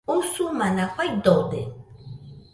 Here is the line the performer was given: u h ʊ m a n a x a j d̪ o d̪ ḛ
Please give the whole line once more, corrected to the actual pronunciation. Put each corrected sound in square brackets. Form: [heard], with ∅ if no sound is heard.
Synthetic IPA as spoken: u [s] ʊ m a n a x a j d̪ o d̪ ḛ